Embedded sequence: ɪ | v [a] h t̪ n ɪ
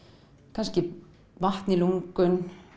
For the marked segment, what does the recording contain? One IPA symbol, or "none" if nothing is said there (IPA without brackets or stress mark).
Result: a